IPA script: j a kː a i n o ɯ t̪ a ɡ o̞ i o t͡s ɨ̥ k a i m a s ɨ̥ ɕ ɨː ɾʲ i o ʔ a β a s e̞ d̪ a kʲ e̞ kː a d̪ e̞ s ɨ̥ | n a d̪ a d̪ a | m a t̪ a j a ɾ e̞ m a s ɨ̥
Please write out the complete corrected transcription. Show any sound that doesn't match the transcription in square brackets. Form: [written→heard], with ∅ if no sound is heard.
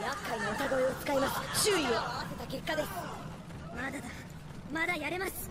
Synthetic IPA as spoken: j a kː a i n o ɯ t̪ a ɡ o̞ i o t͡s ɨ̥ k a i m a s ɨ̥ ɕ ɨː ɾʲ i o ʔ a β a s e̞ [d̪→t̪] a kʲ e̞ kː a d̪ e̞ s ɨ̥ | [n→m] a d̪ a d̪ a | m a [t̪→d̪] a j a ɾ e̞ m a s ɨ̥